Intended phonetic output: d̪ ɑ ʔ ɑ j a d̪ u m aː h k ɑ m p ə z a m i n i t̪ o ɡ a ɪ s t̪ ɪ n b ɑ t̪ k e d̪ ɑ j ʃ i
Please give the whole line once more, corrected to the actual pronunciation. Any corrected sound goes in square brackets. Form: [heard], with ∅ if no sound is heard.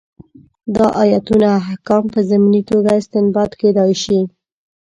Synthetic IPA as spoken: d̪ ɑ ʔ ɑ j a [t̪] u [n] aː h k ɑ m p ə z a m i n i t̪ o ɡ a ɪ s t̪ ɪ n b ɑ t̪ k e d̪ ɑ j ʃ i